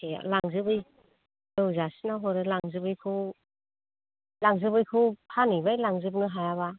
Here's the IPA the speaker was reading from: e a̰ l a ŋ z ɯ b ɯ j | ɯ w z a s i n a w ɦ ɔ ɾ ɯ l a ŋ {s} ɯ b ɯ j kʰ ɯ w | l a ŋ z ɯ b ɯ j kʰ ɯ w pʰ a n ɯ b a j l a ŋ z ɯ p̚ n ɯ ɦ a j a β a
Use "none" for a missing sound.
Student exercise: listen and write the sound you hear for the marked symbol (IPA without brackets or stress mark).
z